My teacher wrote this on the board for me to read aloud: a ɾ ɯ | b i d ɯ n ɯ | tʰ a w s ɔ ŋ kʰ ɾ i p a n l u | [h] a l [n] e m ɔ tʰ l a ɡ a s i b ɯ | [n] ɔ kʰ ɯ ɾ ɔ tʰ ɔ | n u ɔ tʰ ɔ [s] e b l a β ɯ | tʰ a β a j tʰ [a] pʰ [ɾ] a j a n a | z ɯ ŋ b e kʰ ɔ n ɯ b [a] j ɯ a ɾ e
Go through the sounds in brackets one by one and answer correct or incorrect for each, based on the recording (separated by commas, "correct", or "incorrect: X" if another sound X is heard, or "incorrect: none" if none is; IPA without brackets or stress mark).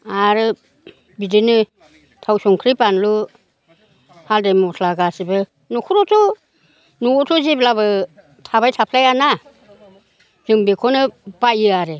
correct, incorrect: d, correct, incorrect: z, correct, incorrect: l, correct